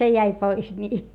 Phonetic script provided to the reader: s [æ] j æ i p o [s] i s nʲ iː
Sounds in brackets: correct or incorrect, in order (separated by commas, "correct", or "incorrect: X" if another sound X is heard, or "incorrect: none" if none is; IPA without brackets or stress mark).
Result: incorrect: e, incorrect: none